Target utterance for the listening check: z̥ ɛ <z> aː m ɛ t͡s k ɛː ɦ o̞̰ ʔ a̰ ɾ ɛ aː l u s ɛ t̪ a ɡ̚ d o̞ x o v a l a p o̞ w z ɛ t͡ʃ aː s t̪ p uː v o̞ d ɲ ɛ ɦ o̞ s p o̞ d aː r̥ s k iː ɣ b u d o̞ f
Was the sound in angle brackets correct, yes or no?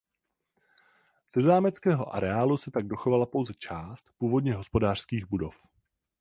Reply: yes